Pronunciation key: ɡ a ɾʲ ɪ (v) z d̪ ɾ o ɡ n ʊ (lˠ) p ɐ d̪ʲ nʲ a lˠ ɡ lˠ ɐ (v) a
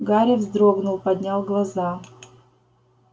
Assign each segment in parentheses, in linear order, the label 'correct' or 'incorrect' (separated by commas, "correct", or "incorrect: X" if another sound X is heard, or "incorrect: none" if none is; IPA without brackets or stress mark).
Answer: correct, correct, incorrect: z